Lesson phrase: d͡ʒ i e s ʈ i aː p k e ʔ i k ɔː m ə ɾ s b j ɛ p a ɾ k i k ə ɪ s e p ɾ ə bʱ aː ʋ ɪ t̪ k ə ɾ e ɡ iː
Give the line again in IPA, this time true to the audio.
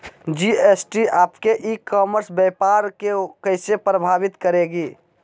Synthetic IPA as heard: d͡ʒ i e s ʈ i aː p k e ʔ i k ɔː m ə ɾ s b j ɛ p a ɾ k e k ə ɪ s e p ɾ ə bʱ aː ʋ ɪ t̪ k ə ɾ e ɡ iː